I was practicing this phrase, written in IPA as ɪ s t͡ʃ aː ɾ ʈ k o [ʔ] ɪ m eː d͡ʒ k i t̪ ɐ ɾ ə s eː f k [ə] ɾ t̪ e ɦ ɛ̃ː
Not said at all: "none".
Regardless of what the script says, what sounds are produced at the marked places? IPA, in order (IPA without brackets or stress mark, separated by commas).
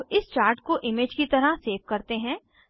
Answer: ʔ, ɐ